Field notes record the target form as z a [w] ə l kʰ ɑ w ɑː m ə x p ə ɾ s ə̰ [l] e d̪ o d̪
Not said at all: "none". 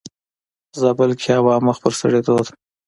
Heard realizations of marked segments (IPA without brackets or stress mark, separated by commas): b, ɽ